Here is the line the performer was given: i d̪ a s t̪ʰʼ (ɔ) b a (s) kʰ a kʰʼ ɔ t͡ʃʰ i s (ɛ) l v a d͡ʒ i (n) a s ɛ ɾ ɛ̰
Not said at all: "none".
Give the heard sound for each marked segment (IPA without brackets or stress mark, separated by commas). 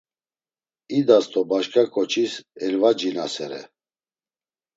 ɔ, ʃ, ɛ, n